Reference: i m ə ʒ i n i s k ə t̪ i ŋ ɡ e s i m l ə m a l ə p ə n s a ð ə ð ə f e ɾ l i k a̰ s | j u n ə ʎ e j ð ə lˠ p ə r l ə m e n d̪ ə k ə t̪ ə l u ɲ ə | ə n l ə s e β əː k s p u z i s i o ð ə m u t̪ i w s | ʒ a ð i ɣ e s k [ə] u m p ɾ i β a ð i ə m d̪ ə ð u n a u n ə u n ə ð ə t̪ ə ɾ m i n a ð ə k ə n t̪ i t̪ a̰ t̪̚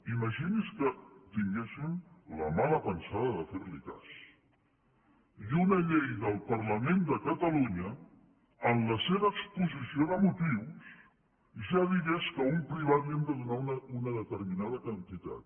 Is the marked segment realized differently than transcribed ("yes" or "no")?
no